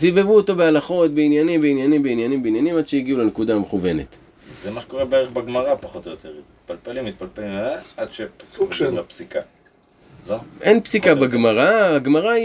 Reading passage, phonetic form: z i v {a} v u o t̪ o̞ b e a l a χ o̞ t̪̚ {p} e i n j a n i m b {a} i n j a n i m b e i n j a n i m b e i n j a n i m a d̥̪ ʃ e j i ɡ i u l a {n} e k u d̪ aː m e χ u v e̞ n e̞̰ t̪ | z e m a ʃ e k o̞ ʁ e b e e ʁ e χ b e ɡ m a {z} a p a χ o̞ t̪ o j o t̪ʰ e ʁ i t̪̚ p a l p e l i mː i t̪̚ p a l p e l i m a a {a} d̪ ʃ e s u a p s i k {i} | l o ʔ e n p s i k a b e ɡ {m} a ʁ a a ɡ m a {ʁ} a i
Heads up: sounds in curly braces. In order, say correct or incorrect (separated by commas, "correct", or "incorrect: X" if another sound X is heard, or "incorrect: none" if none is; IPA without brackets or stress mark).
incorrect: e, incorrect: b, incorrect: e, correct, incorrect: ʁ, correct, incorrect: a, correct, correct